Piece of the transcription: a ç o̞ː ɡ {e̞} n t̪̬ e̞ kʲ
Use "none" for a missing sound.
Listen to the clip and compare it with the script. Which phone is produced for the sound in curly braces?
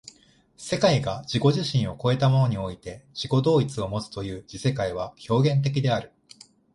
ẽ̞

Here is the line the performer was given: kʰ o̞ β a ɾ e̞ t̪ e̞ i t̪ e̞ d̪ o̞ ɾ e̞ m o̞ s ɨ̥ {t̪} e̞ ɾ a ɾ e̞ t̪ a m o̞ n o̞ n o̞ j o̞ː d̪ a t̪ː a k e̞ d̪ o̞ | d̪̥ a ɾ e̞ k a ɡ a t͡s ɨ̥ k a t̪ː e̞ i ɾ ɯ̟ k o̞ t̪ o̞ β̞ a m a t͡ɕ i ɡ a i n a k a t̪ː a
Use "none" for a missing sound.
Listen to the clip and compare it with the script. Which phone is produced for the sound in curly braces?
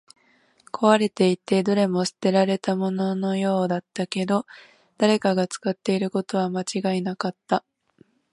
t̪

